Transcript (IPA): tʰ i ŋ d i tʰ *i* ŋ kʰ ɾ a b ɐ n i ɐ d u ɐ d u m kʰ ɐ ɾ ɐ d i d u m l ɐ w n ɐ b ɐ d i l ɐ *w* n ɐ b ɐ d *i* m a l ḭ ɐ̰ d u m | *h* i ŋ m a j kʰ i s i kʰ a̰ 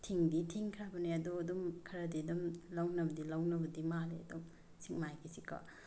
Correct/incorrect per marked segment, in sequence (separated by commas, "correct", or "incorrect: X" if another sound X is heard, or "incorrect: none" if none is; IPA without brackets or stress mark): correct, correct, correct, incorrect: s